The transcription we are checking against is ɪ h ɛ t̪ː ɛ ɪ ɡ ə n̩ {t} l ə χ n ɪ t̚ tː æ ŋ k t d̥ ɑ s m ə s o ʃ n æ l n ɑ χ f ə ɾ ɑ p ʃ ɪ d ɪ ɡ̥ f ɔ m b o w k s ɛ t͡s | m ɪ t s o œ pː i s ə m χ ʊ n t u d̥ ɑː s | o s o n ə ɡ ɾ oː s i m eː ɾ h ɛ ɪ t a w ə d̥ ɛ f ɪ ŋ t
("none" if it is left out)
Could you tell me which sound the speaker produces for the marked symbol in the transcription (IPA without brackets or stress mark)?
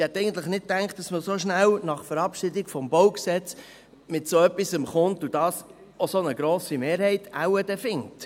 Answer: t